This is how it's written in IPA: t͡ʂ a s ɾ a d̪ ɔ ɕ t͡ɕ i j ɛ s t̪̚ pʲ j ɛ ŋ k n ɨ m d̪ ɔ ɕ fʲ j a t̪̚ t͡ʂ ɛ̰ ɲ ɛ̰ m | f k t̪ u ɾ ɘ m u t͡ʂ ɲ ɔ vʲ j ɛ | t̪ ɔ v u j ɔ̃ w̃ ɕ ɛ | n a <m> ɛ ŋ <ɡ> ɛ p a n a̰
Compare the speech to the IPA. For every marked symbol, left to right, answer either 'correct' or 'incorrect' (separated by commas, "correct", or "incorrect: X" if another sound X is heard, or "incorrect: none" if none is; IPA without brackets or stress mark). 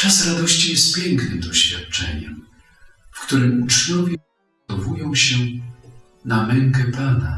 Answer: correct, incorrect: k